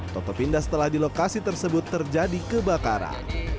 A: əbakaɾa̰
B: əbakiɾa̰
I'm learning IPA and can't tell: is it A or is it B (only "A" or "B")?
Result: A